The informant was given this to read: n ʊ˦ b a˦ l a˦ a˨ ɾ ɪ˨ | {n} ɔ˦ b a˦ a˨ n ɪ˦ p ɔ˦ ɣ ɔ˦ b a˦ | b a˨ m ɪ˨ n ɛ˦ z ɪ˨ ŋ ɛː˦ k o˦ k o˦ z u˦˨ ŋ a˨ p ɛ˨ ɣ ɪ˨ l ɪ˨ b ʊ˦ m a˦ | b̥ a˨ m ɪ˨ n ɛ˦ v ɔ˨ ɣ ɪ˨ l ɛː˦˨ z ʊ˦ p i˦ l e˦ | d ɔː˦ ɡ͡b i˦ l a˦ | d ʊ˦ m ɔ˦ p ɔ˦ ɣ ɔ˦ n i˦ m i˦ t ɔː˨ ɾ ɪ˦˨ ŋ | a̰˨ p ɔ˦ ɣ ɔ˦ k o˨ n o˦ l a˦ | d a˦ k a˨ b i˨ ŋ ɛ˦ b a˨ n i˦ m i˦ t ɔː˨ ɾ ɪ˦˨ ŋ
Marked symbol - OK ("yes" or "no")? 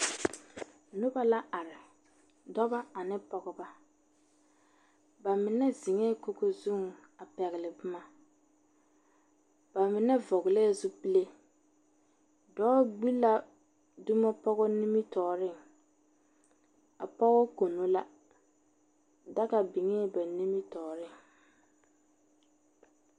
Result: no